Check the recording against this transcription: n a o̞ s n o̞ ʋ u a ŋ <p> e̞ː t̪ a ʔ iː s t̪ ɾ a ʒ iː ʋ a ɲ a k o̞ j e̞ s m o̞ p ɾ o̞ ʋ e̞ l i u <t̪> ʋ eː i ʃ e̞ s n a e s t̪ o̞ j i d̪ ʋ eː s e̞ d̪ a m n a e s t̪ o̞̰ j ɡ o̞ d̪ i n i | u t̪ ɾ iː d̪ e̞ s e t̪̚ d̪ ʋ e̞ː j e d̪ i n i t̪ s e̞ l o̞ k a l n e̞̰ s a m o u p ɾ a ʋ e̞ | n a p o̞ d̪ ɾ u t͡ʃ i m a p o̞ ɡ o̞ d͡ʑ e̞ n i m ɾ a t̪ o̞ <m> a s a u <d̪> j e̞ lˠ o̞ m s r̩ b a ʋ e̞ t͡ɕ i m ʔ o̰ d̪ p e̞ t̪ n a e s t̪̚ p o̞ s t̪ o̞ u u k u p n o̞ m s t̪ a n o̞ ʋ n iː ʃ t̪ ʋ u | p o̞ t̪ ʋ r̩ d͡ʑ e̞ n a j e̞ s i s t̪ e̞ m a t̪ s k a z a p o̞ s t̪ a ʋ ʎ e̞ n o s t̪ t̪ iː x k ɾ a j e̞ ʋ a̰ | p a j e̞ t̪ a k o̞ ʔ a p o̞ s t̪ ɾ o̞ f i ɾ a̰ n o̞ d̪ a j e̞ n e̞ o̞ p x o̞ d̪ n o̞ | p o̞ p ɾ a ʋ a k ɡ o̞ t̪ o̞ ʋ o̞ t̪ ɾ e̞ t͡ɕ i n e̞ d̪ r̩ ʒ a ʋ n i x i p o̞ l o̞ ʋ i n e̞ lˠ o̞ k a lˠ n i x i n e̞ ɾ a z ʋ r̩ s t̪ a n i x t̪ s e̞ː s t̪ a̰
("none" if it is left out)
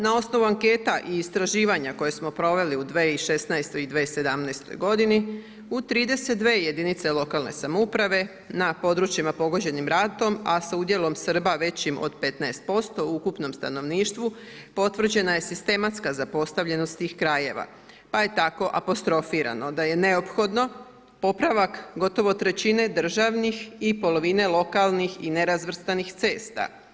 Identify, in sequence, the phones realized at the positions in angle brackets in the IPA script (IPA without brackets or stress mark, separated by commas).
k, d̪, m, d̪